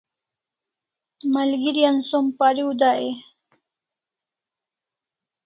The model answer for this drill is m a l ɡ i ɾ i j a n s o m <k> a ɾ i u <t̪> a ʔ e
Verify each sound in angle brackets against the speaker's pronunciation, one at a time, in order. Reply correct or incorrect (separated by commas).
incorrect, incorrect